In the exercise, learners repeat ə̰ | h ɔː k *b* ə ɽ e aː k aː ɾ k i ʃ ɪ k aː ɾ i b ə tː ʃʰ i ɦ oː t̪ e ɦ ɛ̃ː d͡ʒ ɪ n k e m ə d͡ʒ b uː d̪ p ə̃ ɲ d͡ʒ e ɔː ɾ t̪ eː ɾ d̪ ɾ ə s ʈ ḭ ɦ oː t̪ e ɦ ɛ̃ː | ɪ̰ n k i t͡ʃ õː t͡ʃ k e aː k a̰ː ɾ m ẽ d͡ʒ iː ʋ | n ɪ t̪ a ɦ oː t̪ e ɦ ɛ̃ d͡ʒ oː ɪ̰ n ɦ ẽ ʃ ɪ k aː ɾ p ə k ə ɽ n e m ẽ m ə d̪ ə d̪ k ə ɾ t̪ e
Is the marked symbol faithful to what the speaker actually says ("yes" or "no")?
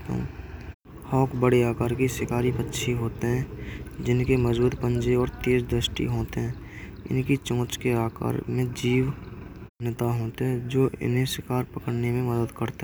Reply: yes